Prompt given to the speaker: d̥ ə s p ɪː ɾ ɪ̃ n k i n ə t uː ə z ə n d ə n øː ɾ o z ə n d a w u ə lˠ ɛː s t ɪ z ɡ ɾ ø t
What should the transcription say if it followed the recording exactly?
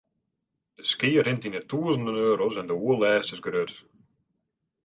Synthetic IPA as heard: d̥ ə s k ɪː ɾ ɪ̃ n t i n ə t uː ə z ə n d ə n øː ɾ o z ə n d ə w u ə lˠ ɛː s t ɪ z ɡ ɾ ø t